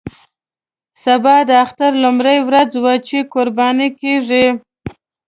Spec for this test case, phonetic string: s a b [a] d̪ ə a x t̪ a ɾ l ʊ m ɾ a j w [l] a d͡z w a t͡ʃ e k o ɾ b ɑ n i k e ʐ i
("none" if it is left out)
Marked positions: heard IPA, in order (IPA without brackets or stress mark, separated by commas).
ɑ, ɾ